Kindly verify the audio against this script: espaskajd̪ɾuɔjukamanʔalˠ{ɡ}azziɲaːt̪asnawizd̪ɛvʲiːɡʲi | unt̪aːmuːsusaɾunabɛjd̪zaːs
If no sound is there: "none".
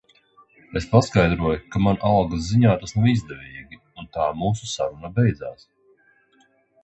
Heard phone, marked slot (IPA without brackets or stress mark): ɡ